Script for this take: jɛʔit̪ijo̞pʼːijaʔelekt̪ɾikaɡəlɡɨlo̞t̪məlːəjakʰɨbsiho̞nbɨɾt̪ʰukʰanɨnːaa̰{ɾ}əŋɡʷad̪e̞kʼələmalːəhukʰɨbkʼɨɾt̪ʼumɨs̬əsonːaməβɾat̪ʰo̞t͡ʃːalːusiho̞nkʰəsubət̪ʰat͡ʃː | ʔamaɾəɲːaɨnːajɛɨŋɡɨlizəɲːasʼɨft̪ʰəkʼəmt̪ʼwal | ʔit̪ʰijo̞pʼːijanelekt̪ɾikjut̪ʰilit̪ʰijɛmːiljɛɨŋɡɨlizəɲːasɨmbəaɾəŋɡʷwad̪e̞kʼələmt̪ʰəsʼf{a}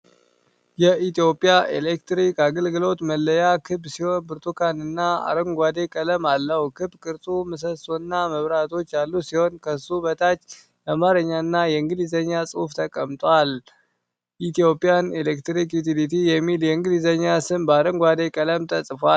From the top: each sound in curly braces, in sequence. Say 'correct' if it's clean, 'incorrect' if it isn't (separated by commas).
correct, correct